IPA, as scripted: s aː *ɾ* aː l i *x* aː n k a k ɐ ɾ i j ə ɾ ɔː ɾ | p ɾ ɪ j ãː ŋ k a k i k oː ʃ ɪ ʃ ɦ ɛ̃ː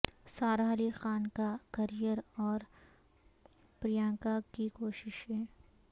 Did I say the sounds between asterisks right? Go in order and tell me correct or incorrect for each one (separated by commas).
correct, correct